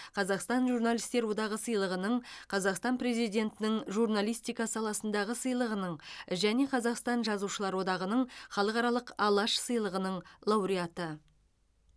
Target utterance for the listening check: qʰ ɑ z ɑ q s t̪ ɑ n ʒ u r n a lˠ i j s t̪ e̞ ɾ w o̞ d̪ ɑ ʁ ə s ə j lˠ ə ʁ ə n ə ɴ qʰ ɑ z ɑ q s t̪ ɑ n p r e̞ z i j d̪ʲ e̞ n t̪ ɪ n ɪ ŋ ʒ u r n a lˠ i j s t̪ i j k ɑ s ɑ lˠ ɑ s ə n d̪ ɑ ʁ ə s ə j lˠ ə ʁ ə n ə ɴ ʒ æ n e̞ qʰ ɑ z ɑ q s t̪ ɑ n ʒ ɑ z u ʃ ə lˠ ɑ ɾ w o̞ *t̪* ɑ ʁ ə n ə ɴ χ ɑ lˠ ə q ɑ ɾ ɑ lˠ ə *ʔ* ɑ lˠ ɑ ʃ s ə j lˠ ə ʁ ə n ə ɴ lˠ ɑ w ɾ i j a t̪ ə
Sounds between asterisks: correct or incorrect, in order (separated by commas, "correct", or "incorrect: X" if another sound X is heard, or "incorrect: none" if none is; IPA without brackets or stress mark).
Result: incorrect: d̪, incorrect: q